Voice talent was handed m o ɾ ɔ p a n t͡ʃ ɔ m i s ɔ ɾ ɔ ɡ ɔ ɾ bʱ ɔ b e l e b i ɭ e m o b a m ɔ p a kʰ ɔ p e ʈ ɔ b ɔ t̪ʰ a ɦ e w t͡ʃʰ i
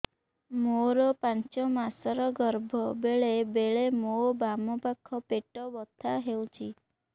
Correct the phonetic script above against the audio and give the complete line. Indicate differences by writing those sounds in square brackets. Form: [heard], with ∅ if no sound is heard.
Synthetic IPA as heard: m o ɾ ɔ p a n t͡ʃ ɔ m [a] s ɔ ɾ ɔ ɡ ɔ ɾ bʱ ɔ b e [ɭ] e b [e] ɭ e m o b a m ɔ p a kʰ ɔ p e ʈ ɔ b ɔ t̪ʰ a ɦ e w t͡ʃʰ i